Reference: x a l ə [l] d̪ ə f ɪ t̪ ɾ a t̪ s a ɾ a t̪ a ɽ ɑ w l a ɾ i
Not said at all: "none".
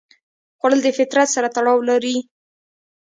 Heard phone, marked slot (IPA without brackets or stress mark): l